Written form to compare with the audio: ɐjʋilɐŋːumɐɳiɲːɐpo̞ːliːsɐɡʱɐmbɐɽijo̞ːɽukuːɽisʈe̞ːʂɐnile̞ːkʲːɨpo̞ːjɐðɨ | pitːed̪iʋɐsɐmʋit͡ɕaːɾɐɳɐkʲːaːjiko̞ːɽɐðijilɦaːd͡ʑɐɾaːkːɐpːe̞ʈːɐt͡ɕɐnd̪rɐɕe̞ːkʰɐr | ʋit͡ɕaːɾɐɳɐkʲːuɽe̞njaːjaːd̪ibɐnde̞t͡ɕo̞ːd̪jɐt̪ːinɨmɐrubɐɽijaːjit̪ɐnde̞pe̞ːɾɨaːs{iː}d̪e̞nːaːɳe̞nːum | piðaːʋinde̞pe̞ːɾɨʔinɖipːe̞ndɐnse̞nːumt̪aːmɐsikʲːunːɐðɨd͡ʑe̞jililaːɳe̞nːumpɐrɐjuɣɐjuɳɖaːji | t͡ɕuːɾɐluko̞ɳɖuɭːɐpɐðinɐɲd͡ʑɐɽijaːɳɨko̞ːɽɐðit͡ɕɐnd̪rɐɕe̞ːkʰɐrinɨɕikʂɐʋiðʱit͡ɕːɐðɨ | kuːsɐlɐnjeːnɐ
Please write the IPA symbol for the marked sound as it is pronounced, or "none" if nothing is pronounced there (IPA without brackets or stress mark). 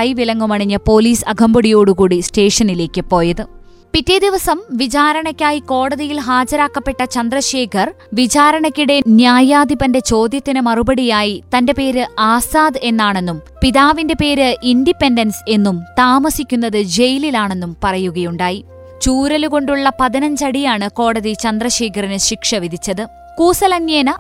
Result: aː